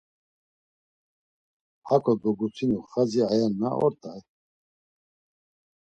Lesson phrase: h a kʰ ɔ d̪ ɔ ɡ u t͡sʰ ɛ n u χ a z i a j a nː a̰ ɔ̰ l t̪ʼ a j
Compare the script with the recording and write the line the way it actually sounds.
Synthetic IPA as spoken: h a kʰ ɔ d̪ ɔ ɡ u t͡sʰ i n u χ a z i a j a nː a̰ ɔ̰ ɾ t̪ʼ a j